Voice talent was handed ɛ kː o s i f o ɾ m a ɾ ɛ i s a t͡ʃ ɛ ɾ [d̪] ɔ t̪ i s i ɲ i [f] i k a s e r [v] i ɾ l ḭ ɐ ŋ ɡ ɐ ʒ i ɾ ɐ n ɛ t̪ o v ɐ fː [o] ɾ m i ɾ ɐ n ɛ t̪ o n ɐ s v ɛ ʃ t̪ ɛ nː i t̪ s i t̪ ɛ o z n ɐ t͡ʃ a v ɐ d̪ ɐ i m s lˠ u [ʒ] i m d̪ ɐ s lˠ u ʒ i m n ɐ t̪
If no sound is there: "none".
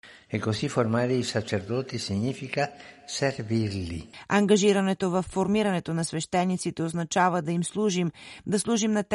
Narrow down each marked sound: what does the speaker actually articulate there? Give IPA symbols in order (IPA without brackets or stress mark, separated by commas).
d̪, f, v, o, ʒ